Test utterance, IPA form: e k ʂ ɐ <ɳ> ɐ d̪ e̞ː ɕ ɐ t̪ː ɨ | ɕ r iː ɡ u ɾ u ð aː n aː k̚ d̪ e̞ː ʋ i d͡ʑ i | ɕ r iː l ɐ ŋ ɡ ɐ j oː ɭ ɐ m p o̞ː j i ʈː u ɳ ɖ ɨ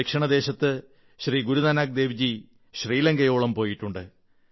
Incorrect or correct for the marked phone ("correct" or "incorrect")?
correct